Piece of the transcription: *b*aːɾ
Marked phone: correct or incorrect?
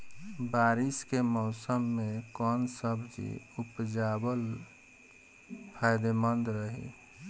correct